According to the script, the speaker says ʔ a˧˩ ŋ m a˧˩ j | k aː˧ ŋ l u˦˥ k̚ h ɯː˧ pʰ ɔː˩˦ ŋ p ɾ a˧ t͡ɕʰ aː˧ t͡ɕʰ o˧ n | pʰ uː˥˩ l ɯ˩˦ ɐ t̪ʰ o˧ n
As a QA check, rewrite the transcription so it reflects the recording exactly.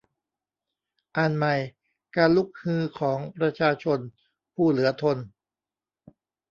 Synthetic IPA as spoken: ʔ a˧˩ n m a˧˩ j | k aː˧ n l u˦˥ k̚ h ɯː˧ kʰ ɔː˩˦ ŋ p ɾ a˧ t͡ɕʰ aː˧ t͡ɕʰ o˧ n | pʰ uː˥˩ l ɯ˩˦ ɐ t̪ʰ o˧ n